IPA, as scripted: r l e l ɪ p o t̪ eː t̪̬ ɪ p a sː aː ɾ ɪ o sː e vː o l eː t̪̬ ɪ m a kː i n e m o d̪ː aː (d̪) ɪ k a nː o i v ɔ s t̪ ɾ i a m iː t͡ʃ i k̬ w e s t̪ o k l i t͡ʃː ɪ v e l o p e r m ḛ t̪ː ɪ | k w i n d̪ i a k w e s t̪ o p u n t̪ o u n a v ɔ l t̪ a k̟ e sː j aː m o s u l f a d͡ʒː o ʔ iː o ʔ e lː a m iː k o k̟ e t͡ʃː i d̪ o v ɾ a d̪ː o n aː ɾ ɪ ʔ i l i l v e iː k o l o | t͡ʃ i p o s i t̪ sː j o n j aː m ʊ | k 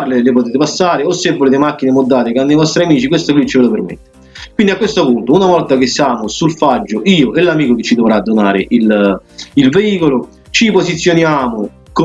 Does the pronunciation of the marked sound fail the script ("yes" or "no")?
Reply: yes